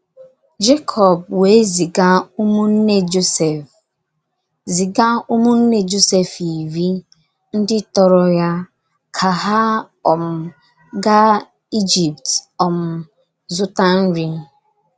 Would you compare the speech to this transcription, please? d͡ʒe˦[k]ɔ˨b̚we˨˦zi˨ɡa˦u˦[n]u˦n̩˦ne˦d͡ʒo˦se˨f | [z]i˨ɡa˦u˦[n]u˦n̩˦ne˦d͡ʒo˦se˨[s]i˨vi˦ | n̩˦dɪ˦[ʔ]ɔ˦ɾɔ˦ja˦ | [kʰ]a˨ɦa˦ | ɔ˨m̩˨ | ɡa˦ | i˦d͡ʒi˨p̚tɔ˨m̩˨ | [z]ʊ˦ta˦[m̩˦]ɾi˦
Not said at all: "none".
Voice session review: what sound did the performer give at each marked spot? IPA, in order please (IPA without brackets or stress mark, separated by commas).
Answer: kʰ, m, z, m, f, t, kʰ, z, n̩˦